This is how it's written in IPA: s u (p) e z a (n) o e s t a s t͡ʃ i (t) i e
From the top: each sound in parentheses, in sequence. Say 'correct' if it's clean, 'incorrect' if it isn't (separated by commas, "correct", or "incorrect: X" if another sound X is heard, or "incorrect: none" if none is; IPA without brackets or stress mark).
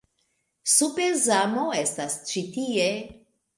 correct, incorrect: m, correct